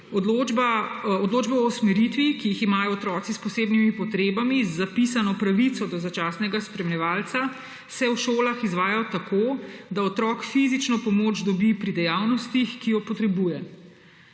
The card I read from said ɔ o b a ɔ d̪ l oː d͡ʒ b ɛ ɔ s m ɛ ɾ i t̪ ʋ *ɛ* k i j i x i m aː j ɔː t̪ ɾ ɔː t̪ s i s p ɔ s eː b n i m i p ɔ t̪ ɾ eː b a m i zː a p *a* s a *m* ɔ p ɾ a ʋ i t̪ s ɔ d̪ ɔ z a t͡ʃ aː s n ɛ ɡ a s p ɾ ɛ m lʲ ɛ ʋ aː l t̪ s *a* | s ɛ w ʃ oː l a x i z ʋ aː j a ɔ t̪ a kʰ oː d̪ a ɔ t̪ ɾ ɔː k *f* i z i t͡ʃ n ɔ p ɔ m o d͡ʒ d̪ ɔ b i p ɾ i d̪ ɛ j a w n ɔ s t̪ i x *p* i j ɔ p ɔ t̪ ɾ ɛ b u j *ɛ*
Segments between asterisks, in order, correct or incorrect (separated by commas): incorrect, incorrect, incorrect, correct, correct, incorrect, correct